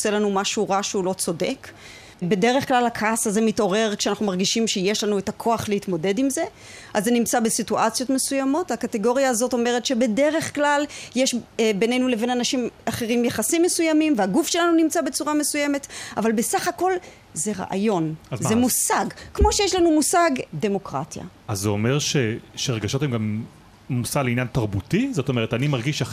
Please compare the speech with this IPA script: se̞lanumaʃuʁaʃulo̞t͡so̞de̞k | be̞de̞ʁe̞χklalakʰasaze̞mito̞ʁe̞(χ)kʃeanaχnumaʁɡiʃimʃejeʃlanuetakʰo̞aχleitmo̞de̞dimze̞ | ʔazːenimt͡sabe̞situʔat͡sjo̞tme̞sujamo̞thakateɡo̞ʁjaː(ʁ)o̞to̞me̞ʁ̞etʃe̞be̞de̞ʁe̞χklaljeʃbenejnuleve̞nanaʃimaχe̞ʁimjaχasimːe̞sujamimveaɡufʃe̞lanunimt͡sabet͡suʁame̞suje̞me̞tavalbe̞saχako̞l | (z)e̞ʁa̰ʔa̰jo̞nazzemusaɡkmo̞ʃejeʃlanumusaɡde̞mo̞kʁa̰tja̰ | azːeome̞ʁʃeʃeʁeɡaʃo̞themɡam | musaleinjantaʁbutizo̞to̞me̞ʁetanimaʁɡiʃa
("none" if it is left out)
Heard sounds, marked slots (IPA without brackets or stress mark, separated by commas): ʁ, z, z